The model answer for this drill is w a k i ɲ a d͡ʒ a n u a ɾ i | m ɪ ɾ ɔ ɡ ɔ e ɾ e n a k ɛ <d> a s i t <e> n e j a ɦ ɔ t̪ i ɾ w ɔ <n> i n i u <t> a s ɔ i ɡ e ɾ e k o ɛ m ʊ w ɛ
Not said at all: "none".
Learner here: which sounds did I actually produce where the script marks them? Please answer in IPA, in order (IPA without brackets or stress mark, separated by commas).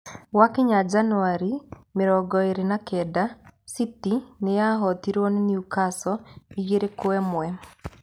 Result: d, i, n, k